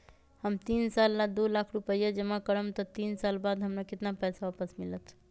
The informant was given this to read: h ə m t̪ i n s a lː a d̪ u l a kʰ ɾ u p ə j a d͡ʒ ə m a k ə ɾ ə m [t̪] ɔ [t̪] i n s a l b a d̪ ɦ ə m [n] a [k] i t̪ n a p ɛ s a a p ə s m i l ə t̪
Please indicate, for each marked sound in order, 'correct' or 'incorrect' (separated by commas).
correct, correct, correct, correct